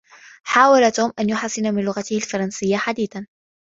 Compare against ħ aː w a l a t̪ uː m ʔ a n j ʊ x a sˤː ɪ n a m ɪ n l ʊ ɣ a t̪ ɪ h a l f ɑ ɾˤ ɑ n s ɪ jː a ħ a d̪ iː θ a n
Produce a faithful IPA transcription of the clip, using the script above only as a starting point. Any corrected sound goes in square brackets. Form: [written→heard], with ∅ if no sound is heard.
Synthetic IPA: ħ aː w a l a t̪ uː m ʔ a n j ʊ [x→ħ] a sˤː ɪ n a m ɪ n l ʊ ɣ a t̪ ɪ h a l f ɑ ɾˤ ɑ n s ɪ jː a ħ a d̪ iː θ a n